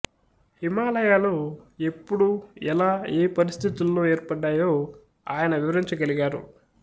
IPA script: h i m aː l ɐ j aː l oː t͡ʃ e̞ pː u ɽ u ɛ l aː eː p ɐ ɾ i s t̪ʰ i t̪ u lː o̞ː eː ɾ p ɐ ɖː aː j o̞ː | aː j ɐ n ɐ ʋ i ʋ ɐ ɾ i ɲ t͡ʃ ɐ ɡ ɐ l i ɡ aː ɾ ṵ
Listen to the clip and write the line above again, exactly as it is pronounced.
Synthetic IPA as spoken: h i m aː l ɐ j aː l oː e̞ pː u ɽ u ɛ l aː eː p ɐ ɾ i s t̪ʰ i t̪ u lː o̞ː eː ɾ p ɐ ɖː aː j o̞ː | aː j ɐ n ɐ ʋ i ʋ ɐ ɾ i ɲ t͡ʃ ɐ ɡ ɐ l i ɡ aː ɾ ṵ